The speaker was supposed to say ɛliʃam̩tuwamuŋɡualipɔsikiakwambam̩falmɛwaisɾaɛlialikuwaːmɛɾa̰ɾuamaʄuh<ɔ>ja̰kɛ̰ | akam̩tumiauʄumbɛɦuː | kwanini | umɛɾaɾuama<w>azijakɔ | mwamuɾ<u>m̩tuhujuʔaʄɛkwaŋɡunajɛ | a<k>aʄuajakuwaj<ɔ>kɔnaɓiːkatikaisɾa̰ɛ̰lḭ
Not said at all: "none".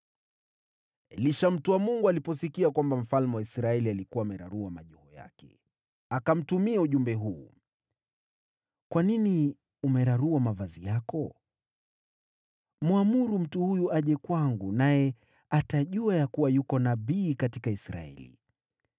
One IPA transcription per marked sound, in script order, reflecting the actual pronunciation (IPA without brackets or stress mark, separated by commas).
ɔ, v, u, t, u